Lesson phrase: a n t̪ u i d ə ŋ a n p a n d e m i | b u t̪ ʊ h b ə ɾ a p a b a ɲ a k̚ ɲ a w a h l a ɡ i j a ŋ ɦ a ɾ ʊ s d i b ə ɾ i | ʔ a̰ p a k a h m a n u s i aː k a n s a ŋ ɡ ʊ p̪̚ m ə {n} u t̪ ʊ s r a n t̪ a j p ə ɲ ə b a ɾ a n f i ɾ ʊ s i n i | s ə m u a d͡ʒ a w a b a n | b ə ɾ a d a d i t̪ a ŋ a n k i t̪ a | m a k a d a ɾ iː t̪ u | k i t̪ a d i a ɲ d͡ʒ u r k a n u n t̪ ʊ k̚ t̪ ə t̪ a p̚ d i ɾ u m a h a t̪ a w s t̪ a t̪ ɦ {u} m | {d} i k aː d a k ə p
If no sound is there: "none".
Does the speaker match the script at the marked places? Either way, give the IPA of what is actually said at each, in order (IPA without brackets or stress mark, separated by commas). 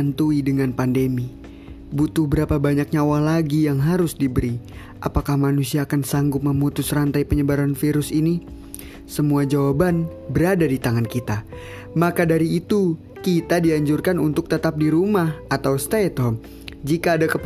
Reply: m, ɔ, d͡ʒ